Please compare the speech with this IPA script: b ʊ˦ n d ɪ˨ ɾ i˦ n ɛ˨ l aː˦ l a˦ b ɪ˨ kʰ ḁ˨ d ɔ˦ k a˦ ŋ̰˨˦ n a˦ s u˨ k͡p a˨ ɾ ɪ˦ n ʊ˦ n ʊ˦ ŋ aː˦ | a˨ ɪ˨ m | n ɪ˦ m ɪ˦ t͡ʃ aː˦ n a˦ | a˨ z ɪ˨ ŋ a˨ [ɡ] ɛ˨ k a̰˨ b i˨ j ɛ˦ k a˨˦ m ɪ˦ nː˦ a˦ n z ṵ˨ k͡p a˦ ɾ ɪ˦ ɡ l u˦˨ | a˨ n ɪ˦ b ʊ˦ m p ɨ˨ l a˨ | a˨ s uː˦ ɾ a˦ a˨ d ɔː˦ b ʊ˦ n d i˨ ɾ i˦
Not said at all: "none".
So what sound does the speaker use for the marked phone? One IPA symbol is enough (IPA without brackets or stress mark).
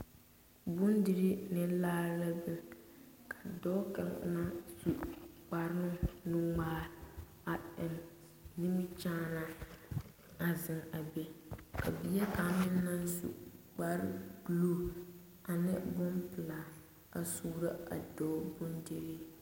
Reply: b